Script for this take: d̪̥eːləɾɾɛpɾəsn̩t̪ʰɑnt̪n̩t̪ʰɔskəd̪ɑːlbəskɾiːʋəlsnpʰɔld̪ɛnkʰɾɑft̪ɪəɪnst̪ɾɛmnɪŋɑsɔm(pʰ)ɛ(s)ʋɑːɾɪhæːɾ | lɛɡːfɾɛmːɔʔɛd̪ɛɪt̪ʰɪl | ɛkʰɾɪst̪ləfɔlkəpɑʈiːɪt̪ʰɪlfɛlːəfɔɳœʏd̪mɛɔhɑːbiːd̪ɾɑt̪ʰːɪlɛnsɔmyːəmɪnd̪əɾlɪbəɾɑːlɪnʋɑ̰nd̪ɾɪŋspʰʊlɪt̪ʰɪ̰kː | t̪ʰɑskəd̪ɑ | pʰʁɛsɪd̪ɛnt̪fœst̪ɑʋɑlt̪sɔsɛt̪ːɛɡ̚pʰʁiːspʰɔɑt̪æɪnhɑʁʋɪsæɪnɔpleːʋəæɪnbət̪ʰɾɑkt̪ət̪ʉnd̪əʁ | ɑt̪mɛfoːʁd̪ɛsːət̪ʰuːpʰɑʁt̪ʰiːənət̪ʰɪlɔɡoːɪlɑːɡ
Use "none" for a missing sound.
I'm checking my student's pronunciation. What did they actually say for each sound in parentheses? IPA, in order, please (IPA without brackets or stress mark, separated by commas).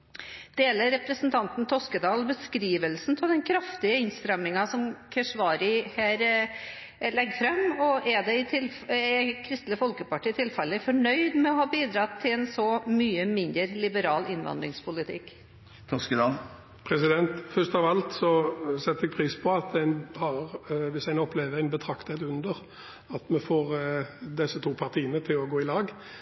kʰ, ʂ